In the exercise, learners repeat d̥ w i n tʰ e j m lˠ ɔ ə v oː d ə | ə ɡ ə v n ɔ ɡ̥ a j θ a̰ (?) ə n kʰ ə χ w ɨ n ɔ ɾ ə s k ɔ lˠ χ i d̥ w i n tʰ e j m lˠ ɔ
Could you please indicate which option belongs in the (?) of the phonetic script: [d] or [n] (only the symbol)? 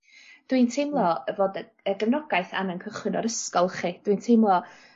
n